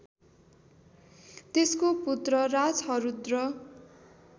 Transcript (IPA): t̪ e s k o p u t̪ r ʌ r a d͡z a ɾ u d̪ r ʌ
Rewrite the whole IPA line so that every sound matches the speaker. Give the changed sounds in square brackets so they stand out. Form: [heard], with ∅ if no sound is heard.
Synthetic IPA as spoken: t̪ e s k o p u t̪ r ʌ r a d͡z [ʌ] ɾ u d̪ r ʌ

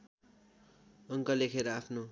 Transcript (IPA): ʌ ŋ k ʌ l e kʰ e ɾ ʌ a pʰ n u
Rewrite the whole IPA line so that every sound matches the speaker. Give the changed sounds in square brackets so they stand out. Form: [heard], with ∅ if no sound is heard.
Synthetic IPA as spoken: ʌ ŋ k ʌ l e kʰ e ɾ ʌ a pʰ n [o]

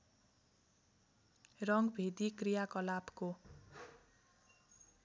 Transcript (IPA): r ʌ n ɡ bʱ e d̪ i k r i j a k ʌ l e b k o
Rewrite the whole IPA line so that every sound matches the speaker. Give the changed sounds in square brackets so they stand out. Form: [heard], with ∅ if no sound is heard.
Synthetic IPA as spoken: r ʌ [ŋ] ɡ bʱ e d̪ i k r i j a k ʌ l [a] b k o

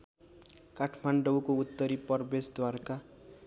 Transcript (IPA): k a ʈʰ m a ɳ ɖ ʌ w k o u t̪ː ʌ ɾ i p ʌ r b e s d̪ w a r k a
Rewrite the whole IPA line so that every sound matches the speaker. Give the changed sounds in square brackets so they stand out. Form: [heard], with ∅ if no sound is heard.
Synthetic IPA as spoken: k a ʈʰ m a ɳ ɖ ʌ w k o u t̪ː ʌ ɾ i p ʌ r b e s d̪ w a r k a

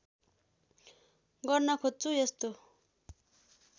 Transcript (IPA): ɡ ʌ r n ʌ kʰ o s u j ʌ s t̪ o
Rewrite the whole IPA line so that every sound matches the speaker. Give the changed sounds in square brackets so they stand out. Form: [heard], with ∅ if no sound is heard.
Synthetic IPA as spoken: ɡ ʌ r n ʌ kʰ o [t͡s] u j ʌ s t̪ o

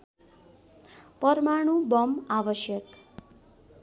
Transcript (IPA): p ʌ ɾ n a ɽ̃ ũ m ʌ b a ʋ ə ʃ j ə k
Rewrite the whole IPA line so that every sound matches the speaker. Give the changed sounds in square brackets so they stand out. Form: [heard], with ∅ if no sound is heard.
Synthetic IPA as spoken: p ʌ ɾ [m] a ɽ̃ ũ [b] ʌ [m] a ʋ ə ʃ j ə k

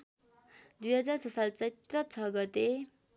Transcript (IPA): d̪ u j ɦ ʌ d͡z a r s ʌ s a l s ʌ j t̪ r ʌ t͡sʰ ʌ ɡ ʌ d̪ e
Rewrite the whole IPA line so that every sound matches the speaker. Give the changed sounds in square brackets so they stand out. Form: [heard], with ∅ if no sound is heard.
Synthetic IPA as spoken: d̪ u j ɦ ʌ d͡z a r s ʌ s a l [t͡s] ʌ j t̪ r ʌ t͡sʰ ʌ ɡ ʌ [t̪] e

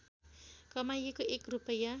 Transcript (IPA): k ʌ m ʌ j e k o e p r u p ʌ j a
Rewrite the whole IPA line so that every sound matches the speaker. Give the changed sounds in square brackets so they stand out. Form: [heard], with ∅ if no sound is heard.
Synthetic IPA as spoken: k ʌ m [a] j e k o e [k] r u p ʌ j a

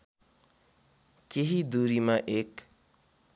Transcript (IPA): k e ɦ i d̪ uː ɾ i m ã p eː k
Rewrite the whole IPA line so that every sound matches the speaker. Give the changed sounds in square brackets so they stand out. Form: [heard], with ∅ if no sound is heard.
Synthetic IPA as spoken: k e ɦ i d̪ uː ɾ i m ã [ʔ] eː k

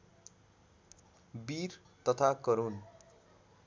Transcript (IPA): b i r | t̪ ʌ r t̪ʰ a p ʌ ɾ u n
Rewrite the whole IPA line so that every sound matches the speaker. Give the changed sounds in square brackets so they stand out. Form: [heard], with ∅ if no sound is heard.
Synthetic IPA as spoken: b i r | t̪ ʌ [∅] t̪ʰ a [k] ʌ ɾ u n

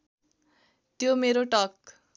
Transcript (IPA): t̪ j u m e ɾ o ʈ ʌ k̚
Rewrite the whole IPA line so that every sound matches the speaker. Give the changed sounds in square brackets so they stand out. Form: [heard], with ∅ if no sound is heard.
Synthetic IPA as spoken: t̪ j [o] m e ɾ o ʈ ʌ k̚

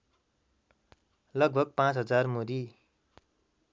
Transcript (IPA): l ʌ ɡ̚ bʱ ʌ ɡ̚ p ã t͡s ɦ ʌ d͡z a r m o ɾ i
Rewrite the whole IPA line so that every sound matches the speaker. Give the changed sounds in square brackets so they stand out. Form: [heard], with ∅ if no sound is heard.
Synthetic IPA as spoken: l ʌ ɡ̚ bʱ ʌ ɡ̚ p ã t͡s ɦ ʌ d͡z a r m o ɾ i

